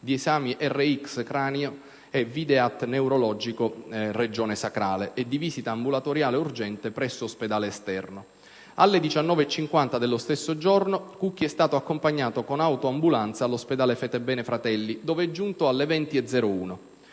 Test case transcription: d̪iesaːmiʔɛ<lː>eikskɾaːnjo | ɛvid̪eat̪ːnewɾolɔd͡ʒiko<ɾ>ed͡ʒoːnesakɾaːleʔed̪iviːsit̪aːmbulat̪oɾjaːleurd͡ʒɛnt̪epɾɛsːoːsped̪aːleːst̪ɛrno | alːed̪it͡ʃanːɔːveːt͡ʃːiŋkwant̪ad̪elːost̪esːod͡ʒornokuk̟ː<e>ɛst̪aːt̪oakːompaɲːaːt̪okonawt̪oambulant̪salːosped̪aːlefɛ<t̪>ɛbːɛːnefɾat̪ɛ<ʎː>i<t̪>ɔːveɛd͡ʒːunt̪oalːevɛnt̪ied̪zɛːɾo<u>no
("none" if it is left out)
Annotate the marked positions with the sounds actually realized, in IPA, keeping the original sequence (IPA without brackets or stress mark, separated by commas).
rː, r, i, t̪, lː, d̪, uː